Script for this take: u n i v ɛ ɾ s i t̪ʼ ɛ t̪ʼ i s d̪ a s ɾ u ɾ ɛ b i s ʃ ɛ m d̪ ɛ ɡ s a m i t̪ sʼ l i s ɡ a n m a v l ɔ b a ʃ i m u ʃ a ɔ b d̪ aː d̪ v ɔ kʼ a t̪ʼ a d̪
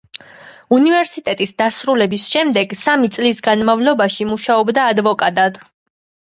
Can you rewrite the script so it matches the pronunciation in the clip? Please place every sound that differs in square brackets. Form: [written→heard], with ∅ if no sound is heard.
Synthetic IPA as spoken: u n i v ɛ ɾ s i t̪ʼ ɛ t̪ʼ i s d̪ a s ɾ u [ɾ→l] ɛ b i s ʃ ɛ m d̪ ɛ ɡ s a m i t̪ sʼ l i s ɡ a n m a v l ɔ b a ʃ i m u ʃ a ɔ b d̪ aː d̪ v ɔ kʼ a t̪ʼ a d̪